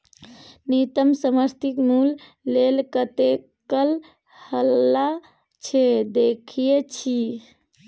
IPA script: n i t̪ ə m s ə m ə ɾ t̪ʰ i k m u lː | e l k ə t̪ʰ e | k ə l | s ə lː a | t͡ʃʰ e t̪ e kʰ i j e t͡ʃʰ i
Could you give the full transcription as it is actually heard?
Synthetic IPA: n i t̪ ə m s ə m ə ɾ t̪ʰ i k m u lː | e l k ə t̪ e | k ə l | h ə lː a | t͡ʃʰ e d̪ e kʰ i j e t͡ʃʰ i